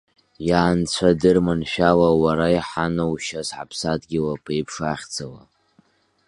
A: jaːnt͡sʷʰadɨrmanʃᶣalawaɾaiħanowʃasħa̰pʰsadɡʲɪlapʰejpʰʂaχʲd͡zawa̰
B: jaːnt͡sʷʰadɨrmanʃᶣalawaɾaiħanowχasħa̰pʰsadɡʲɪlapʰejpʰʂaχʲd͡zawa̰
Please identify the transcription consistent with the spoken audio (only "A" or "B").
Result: A